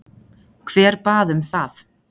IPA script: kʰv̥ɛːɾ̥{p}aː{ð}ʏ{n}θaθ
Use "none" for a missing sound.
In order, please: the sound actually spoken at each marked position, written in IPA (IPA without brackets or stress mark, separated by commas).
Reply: p, ð, m